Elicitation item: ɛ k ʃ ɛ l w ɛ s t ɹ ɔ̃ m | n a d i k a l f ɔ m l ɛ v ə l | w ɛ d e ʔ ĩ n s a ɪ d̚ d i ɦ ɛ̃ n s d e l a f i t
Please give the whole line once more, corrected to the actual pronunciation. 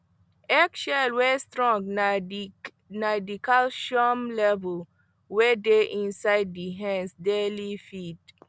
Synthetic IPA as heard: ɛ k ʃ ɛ l w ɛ s t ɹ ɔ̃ ŋ | n a d i k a l ʃ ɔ m l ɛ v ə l | w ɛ d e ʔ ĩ n s a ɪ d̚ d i ɦ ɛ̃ n s d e l i f i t

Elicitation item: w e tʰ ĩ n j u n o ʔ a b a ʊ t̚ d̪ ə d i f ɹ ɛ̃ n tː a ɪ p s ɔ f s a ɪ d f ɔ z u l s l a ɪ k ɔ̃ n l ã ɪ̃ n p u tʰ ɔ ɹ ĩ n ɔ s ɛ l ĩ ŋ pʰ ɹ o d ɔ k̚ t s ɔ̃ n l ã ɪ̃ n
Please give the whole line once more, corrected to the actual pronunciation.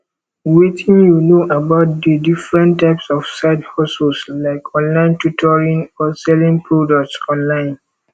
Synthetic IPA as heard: w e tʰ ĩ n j u n o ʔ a b a ʊ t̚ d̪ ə d i f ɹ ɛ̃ n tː a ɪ p s ɔ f s a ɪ d h ɔ s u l s l a ɪ k ɔ̃ n l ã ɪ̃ n t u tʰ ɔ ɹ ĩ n ɔ s ɛ l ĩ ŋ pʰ ɹ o d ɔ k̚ t s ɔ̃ n l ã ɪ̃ n

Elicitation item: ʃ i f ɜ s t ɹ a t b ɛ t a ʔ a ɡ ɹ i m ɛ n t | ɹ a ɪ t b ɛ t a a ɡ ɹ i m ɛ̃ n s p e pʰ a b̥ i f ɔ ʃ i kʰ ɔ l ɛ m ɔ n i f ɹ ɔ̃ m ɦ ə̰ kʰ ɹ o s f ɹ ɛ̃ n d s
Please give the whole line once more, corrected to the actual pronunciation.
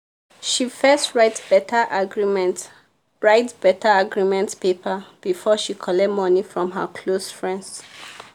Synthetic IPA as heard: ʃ i f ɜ s t ɹ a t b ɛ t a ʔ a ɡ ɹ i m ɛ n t | ɹ a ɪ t b ɛ t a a ɡ ɹ i m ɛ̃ n t p e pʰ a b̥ i f ɔ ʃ i kʰ ɔ l ɛ m ɔ n i f ɹ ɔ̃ m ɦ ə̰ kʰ l o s f ɹ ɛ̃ n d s

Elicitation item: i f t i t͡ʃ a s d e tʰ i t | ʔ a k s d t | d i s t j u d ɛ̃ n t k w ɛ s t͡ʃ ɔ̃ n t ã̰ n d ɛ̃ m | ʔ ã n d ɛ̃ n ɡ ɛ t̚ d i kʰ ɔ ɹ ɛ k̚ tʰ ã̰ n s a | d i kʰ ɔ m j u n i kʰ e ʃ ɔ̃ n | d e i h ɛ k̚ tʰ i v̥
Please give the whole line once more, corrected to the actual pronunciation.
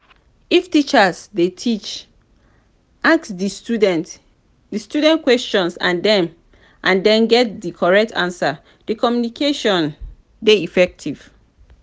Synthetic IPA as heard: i f t i t͡ʃ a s d e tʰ i t͡ʃ | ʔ a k s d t | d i s t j u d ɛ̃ n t k w ɛ s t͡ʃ ɔ̃ n s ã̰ n d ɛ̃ m | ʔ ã n d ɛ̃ n ɡ ɛ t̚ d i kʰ ɔ ɹ ɛ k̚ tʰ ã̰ n s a | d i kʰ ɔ m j u n i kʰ e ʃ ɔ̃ n | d e i f ɛ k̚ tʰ i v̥

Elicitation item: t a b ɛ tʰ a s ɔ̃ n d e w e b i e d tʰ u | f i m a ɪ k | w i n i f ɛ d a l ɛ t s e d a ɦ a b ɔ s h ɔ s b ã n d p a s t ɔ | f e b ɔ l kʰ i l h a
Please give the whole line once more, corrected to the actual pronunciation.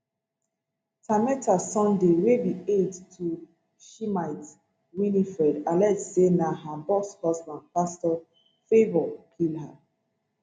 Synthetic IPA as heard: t a m ɛ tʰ a s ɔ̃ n d e w e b i e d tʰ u | ʃ i m a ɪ t | w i n i f ɛ d a l ɛ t s e n a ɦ a b ɔ s h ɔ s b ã n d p a s t ɔ | f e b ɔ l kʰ i l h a

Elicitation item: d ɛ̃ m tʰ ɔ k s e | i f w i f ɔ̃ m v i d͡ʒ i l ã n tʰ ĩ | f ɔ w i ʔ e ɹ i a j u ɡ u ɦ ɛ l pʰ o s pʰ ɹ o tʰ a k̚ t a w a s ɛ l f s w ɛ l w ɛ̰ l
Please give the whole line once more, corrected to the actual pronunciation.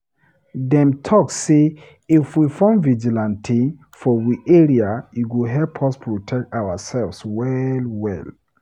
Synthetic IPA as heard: d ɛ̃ m tʰ ɔ k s e | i f w i f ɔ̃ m v i d͡ʒ i l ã n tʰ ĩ | f ɔ w i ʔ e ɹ i a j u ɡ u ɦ ɛ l pʰ ɔ s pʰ ɹ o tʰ ɛ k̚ t a w a s ɛ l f s w ɛ l w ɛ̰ l

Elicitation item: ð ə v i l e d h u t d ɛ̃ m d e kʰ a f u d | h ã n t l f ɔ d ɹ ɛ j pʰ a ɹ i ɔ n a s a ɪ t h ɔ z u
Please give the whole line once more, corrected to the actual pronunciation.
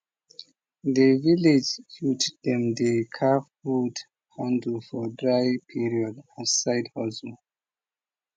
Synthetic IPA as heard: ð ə v i l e d͡ʒ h u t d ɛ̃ m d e kʰ a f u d | h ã n d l f ɔ d ɹ a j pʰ i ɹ i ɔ d a s a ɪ d h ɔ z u

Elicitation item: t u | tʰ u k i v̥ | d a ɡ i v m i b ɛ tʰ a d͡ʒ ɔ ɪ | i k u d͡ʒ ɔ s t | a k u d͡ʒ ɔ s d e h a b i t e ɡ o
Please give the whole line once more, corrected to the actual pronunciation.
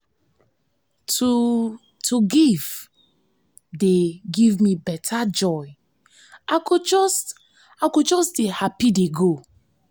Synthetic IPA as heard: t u | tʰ u ɡ i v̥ | d e ɡ i v m i b ɛ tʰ a d͡ʒ ɔ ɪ | a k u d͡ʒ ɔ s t | a k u d͡ʒ ɔ s d e h a p i d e ɡ o

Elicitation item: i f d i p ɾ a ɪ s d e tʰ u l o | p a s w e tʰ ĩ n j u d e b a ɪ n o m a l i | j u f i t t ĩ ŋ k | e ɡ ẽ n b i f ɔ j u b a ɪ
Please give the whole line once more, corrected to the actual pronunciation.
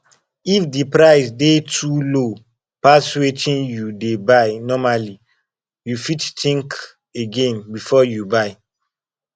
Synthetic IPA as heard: i f d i p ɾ a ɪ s d e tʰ u l o | p a s w e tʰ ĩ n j u d e b a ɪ n ɔ m a l i | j u f i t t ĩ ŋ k | e ɡ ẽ n b i f ɔ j u b a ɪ

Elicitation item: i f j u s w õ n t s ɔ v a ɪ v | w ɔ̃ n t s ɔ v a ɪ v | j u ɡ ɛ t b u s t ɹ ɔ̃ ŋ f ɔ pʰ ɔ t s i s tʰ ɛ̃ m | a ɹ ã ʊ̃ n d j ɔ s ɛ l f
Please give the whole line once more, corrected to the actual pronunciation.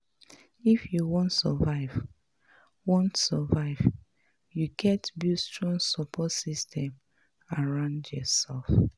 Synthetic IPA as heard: i f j u w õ n t s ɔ v a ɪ v | w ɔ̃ n t s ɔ v a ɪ v | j u ɡ ɛ t b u s t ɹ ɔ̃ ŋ s ɔ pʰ ɔ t s i s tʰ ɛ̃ m | a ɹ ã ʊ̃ n d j ɔ s ɛ l f

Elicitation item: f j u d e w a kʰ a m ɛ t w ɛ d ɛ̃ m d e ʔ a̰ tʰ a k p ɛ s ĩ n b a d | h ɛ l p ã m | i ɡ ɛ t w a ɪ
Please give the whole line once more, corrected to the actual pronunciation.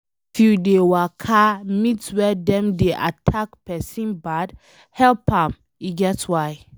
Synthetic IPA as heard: f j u d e w a kʰ a m i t w ɛ d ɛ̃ m d e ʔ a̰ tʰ a k p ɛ s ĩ n b a d | h ɛ l p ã m | i ɡ ɛ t w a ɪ

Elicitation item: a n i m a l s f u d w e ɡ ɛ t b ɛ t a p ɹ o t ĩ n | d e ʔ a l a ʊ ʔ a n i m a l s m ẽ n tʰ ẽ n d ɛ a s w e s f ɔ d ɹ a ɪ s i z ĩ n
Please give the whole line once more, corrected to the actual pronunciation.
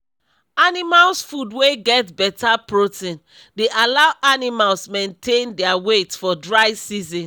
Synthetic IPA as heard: a n i m a l s f u d w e ɡ ɛ t b ɛ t a p ɹ o t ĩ n | d e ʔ a l a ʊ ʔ a n i m a l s m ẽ n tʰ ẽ n d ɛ a w e t f ɔ d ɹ a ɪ s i z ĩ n

